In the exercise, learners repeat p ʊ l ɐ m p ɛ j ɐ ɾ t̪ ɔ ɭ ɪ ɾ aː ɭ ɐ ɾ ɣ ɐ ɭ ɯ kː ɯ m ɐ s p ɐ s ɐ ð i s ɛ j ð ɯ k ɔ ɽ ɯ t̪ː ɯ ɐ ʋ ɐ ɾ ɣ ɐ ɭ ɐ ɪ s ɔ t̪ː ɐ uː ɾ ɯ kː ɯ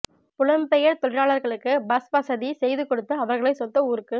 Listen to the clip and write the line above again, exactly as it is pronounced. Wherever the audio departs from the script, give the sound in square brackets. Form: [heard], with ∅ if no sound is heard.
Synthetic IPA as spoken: p ʊ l ɐ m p ɛ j ɐ ɾ t̪ ɔ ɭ ɪ ɾ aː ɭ ɐ ɾ ɣ ɐ ɭ ɯ kː ɯ [b] ɐ s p ɐ s ɐ ð i s ɛ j ð ɯ k ɔ ɽ ɯ t̪ː ɯ ɐ ʋ ɐ ɾ ɣ ɐ ɭ ɐ ɪ s ɔ t̪ː ɐ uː ɾ ɯ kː ɯ